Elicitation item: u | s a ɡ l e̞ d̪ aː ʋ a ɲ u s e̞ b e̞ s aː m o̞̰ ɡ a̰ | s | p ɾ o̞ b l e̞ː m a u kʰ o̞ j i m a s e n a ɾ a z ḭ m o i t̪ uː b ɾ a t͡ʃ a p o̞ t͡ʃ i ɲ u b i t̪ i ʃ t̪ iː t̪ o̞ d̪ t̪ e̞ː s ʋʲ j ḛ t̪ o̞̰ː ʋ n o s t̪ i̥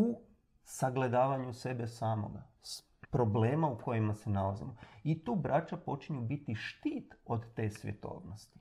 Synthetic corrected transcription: u | s a ɡ l e̞ d̪ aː ʋ a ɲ u s e̞ b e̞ s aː m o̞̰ ɡ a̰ | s | p ɾ o̞ b l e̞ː m a u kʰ o̞ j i m a s e n a l a z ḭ m o i t̪ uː b ɾ a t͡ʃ a p o̞ t͡ʃ i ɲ u b i t̪ i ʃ t̪ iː t̪ o̞ d̪ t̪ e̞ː s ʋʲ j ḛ t̪ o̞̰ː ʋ n o s t̪ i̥